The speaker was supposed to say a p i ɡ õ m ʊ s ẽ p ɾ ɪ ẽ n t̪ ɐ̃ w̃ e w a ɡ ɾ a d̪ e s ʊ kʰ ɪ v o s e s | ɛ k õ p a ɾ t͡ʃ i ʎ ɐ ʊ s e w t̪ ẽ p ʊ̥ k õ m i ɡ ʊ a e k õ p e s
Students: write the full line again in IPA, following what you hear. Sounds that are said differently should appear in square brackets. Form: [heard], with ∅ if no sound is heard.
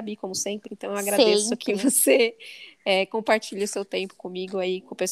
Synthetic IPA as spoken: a [b] i [k] õ m ʊ s ẽ p ɾ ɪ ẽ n t̪ ɐ̃ w̃ e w a ɡ ɾ a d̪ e s ʊ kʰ ɪ v o s e [∅] | ɛ k õ p a ɾ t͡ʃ i ʎ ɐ ʊ s e w t̪ ẽ p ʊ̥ k õ m i ɡ ʊ a [i] k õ p e s